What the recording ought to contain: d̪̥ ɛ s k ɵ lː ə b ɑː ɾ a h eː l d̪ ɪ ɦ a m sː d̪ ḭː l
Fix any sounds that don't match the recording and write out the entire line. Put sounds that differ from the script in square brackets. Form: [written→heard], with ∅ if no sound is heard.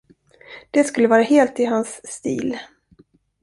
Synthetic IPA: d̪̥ ɛ s k ɵ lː ə [b→v] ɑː ɾ a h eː l [d̪→t̪] ɪ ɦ a [m→n] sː [d̪→t̪] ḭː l